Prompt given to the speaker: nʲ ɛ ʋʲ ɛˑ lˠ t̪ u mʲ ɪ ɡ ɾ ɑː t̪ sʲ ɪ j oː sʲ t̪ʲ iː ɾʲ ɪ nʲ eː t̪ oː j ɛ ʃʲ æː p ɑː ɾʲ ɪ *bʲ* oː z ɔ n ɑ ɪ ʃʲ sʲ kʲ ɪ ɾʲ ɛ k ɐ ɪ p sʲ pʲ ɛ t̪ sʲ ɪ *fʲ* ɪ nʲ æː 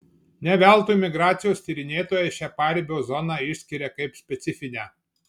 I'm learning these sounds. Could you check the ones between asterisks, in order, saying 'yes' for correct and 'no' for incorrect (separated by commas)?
yes, yes